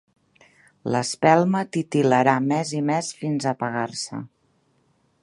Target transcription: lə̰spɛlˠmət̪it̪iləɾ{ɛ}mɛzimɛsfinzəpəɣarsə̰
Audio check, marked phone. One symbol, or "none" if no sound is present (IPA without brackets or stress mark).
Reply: a